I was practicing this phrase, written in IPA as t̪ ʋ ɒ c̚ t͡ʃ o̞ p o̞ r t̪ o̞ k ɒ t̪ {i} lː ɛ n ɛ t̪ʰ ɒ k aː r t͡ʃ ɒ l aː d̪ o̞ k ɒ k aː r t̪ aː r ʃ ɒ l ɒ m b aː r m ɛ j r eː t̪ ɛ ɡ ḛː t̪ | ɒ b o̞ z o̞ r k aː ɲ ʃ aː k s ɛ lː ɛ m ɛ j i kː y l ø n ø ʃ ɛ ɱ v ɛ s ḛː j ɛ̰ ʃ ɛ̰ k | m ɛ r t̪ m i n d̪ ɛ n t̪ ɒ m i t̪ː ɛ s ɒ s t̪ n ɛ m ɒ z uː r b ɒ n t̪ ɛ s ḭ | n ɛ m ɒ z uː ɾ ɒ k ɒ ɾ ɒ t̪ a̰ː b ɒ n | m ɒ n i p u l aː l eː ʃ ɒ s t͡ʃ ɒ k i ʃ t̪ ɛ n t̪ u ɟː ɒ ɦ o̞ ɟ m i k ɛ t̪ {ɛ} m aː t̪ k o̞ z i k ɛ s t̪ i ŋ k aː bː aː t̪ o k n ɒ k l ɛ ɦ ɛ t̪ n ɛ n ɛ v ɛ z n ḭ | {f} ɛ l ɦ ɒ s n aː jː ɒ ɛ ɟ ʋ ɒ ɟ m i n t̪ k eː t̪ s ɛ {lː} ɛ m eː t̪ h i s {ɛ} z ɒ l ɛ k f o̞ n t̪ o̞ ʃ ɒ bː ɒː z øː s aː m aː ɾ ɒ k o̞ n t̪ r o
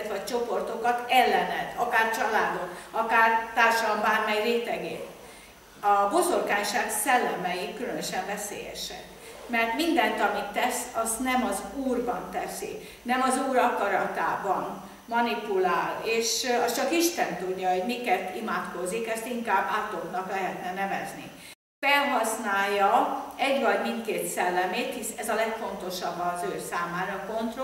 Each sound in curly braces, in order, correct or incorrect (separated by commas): incorrect, incorrect, correct, correct, correct